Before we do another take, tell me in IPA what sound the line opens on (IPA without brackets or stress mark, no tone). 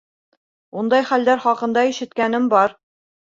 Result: u